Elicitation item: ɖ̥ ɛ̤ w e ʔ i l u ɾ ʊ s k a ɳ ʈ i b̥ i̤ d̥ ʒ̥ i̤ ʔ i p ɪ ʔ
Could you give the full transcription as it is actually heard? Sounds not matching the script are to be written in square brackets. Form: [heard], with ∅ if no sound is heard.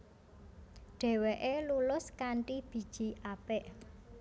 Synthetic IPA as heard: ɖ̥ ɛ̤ w e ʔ [e] l u [l] ʊ s k a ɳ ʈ i b̥ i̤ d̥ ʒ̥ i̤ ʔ [a] p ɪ ʔ